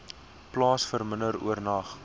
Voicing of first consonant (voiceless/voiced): voiceless